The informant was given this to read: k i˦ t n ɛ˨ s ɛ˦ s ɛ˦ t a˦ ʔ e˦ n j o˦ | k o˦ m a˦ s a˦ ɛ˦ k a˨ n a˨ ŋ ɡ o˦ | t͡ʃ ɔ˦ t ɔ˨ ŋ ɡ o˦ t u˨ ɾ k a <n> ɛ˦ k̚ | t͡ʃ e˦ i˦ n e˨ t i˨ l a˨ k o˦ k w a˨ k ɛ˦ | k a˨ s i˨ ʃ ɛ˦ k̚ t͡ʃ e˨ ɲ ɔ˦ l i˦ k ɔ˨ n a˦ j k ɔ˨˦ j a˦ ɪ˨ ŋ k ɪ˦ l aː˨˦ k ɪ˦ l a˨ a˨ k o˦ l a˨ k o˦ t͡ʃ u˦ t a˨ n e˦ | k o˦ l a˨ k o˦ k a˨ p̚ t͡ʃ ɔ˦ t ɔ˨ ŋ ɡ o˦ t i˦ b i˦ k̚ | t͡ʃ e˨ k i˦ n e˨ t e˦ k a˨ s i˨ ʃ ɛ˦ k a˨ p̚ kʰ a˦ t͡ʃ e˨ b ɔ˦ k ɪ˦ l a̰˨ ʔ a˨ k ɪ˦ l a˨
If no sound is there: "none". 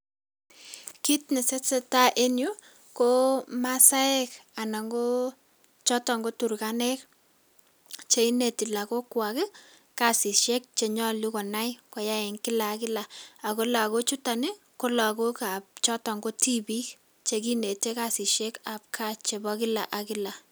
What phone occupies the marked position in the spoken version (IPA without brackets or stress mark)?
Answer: n